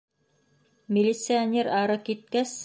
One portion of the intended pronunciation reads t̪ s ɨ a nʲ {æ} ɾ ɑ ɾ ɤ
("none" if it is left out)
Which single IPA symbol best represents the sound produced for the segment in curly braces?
e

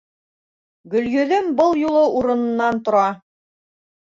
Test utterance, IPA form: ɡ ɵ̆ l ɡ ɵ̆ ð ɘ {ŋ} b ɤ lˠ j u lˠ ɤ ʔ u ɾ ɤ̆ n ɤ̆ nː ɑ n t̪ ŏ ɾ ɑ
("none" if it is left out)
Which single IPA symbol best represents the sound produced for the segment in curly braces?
m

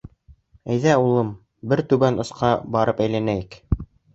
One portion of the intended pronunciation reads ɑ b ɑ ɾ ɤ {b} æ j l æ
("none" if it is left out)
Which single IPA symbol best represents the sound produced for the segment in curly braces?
p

